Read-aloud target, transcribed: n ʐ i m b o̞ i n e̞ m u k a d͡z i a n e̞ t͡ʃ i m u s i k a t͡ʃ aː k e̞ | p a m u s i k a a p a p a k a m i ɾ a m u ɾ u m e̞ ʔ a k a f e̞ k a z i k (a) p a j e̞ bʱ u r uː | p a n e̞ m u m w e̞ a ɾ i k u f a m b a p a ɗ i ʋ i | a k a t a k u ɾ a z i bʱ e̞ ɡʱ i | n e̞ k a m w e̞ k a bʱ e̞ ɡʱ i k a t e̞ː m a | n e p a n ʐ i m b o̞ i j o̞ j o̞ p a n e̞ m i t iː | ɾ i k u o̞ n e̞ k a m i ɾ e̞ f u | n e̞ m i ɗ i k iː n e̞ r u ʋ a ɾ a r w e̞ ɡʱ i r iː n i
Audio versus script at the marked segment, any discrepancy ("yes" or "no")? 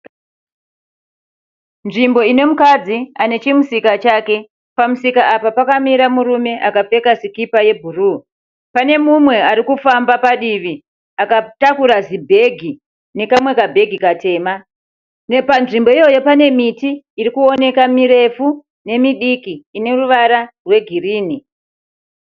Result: yes